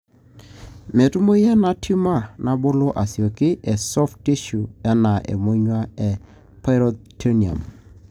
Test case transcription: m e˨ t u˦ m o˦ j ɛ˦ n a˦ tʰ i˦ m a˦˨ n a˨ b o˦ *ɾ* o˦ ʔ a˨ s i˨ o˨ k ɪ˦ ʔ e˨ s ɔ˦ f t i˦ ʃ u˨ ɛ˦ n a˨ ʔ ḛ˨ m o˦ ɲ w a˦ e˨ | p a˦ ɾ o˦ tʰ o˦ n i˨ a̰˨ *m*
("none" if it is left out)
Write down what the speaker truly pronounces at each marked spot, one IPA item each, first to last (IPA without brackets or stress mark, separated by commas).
l, m